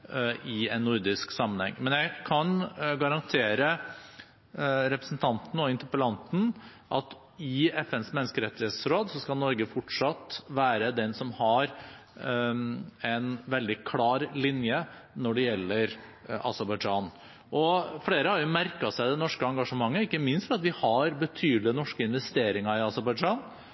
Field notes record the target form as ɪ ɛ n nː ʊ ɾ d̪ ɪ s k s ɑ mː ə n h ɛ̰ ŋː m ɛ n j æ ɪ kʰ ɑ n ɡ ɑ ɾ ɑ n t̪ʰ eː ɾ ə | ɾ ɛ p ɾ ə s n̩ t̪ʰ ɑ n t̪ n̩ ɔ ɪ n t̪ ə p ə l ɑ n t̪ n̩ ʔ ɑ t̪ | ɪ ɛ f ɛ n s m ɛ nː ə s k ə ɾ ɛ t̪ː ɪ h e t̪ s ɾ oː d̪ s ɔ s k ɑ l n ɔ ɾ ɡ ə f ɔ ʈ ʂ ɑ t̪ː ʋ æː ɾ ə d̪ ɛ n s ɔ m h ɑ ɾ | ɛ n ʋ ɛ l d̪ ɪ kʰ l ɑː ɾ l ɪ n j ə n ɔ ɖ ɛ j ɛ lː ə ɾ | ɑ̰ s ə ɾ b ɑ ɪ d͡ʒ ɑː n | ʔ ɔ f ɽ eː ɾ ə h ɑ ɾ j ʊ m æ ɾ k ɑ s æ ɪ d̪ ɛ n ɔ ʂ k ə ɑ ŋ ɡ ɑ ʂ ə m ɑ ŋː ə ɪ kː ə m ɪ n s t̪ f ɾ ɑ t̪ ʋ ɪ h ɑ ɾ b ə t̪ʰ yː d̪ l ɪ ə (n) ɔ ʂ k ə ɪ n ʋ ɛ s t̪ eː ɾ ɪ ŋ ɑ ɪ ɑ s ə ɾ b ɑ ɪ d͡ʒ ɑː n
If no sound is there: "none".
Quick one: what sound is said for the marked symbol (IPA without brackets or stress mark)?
n